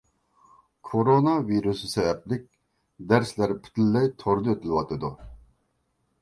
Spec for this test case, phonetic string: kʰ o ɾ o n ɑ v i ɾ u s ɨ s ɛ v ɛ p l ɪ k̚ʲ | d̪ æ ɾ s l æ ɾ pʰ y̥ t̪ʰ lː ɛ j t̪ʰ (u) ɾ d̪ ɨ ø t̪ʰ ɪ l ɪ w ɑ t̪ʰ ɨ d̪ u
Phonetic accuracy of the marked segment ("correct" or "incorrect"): incorrect